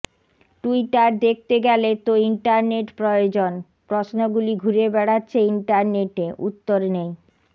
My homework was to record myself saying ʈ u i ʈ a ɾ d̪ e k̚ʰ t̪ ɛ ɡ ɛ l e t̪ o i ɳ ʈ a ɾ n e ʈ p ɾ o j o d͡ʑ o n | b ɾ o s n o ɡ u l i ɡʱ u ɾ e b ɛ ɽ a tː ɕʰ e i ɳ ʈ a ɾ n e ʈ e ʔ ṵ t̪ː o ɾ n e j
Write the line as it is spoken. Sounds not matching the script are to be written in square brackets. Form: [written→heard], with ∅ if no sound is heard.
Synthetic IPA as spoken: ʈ u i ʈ a ɾ d̪ e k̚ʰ t̪ [ɛ→e] ɡ ɛ l e t̪ o i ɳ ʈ a ɾ n e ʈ p ɾ o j o d͡ʑ o n | [b→p] ɾ o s n o ɡ u l i ɡʱ u ɾ e b ɛ ɽ a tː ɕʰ e i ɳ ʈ a ɾ n e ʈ e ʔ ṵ t̪ː o ɾ n e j